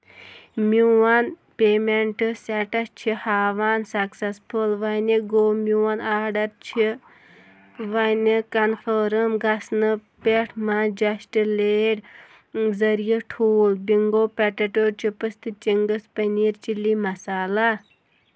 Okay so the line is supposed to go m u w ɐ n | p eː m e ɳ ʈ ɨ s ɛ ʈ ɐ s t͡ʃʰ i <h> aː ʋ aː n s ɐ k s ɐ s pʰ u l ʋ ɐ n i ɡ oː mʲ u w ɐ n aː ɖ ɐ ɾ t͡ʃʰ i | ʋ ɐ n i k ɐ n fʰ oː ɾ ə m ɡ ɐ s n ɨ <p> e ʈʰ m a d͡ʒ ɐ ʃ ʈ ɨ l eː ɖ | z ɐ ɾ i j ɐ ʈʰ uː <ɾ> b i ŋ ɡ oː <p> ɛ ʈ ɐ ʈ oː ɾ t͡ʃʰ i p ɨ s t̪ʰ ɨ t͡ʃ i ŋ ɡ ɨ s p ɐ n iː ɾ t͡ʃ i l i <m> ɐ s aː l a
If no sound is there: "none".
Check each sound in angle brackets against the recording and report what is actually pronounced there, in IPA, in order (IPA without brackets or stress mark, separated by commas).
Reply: h, p, l, p, m